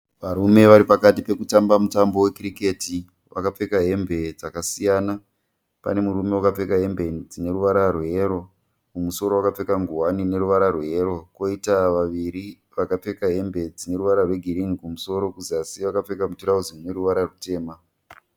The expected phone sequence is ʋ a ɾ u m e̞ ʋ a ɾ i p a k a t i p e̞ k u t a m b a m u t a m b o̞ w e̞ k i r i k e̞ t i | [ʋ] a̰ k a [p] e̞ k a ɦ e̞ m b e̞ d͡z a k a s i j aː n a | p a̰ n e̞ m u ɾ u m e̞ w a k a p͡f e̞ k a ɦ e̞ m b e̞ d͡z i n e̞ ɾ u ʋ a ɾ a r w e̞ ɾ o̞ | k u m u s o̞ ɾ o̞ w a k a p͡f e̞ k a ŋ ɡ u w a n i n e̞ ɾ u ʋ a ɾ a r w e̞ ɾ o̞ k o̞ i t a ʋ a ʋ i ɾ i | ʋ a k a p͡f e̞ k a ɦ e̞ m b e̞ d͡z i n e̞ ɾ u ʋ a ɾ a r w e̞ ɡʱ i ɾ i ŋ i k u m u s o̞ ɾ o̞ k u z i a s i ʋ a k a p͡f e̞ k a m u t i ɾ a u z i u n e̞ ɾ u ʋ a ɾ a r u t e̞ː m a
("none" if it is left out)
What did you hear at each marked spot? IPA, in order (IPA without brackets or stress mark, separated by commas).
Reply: ʋ, p͡f